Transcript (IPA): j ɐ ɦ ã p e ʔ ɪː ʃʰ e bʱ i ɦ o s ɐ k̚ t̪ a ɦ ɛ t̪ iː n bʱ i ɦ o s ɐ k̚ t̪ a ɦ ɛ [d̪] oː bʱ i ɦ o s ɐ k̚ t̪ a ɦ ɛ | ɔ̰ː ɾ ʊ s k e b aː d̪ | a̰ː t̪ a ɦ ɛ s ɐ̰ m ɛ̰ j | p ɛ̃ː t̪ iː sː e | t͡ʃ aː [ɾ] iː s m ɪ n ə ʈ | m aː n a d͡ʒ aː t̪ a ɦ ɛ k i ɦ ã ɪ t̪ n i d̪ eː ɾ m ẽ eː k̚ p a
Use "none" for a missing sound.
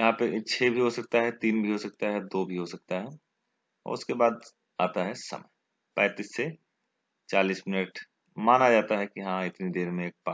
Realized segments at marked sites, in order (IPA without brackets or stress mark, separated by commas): d̪, l